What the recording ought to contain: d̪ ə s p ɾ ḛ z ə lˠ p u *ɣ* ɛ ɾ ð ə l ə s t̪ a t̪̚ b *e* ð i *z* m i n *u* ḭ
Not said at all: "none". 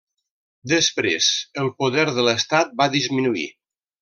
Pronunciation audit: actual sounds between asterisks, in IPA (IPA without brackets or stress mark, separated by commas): ð, a, z, u